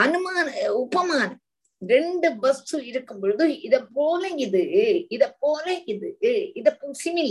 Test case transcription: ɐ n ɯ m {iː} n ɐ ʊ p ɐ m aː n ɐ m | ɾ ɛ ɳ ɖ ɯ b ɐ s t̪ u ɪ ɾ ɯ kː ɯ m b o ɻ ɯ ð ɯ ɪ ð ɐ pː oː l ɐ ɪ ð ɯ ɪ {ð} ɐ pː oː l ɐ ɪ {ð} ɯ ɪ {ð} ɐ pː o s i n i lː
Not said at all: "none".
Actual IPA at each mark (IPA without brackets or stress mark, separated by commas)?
aː, ð, ð, ð